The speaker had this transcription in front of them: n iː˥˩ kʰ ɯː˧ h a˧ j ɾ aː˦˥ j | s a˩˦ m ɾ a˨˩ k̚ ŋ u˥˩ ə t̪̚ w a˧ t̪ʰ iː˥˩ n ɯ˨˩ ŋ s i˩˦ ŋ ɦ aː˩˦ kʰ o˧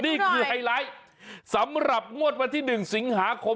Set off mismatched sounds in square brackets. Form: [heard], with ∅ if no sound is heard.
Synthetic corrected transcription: n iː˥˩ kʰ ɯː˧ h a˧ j [l] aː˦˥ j | s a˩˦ m ɾ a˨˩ [p̚] ŋ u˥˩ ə t̪̚ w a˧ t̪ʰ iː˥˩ n ɯ˨˩ ŋ s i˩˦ ŋ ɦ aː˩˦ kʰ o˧